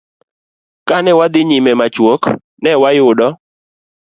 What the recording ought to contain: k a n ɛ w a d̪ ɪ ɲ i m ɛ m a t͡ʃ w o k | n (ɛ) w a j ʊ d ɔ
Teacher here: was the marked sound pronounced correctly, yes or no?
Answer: yes